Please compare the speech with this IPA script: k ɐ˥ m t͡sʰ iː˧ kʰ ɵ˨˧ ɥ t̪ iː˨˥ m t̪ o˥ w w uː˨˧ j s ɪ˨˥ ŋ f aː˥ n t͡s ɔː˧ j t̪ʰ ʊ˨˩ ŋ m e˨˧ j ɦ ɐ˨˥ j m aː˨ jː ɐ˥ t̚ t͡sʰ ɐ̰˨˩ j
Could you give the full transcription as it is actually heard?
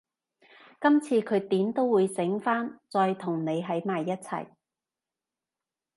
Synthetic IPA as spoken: k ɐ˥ m t͡sʰ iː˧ kʰ ɵ˨˧ ɥ t̪ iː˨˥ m t̪ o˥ w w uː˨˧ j s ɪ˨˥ ŋ f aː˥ n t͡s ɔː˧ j t̪ʰ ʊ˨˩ ŋ n e˨˧ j ɦ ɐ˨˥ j m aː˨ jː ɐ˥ t̚ t͡sʰ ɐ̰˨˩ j